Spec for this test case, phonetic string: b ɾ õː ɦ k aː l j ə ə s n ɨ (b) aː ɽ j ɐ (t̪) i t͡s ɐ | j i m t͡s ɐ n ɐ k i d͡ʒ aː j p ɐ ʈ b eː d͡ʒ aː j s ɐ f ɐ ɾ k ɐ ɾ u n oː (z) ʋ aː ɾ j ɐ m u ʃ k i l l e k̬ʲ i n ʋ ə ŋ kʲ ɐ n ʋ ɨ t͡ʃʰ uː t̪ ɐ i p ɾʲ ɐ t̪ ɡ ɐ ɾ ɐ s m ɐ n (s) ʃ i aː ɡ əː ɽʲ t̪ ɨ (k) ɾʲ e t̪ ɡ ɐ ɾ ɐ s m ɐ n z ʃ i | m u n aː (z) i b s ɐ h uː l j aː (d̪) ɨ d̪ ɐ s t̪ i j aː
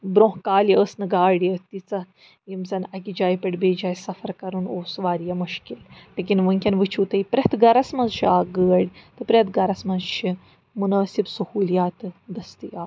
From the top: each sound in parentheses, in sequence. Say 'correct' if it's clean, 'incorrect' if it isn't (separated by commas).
incorrect, correct, incorrect, incorrect, incorrect, incorrect, incorrect